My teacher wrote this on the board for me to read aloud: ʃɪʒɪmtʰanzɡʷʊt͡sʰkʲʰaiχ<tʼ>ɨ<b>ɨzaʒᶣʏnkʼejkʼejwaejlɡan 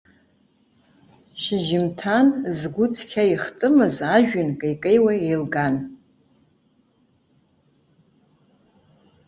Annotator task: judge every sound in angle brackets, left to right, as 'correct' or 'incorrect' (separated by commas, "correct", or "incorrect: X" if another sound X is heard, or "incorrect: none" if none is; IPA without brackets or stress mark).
correct, incorrect: m